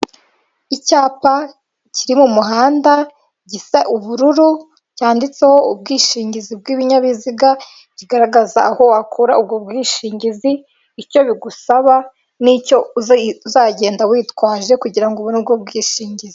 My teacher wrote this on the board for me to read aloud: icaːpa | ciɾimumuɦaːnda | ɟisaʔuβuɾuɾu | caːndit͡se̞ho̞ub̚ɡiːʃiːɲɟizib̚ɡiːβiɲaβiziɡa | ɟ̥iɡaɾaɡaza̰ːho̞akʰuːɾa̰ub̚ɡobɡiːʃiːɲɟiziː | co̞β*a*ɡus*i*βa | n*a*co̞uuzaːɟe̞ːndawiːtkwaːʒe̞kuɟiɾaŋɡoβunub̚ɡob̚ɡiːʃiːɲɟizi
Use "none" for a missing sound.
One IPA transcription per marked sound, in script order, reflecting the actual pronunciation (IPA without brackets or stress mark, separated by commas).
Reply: i, a, i